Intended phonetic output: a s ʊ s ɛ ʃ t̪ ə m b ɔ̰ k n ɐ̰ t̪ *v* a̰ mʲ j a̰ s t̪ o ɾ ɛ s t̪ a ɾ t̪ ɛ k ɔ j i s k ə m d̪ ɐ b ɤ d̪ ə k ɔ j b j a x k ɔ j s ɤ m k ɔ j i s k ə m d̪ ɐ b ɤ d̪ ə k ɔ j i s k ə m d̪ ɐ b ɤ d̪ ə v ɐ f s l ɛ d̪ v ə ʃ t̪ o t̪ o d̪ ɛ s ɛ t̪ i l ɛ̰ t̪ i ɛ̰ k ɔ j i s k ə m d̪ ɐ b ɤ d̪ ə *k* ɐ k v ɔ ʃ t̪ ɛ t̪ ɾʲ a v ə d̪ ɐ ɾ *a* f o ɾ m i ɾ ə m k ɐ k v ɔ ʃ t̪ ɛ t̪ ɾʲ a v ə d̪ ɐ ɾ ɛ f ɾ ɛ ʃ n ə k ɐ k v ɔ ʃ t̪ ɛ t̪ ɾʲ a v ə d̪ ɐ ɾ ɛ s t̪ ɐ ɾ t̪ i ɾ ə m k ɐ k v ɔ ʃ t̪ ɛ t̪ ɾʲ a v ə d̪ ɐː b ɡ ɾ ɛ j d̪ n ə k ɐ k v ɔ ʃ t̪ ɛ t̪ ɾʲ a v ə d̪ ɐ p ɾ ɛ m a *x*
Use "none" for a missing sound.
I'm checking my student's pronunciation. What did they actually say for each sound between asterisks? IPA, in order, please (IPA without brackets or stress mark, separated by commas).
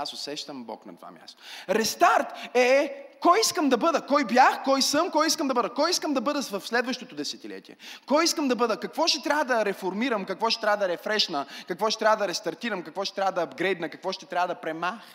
v, k, ɛ, x